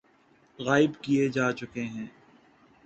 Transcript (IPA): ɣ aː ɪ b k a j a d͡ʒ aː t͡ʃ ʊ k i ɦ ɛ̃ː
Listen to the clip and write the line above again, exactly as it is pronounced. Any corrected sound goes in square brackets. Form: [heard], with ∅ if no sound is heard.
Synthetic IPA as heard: ɣ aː ɪ b k [i] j [e] d͡ʒ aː t͡ʃ ʊ k [e] ɦ ɛ̃ː